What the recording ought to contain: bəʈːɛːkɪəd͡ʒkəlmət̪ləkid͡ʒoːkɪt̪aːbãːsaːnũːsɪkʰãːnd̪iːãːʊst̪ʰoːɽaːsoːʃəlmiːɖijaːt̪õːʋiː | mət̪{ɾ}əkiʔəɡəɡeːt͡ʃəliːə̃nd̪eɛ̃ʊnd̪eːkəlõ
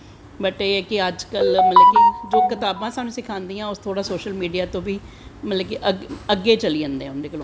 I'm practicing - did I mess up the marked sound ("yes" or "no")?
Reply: yes